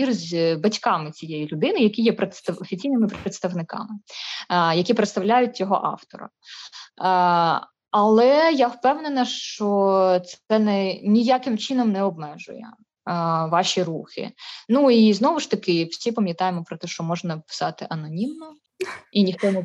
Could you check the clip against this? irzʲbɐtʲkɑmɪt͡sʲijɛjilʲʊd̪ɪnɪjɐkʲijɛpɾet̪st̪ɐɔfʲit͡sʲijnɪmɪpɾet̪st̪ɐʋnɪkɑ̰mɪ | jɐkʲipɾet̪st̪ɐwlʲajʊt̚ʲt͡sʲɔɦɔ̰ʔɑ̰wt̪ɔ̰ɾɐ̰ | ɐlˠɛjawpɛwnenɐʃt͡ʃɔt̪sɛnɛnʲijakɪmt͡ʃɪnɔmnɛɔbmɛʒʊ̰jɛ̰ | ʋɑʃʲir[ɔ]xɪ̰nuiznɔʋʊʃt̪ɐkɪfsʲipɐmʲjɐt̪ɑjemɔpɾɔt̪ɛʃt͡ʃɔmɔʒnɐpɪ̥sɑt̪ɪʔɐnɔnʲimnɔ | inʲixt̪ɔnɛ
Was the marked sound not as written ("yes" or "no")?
yes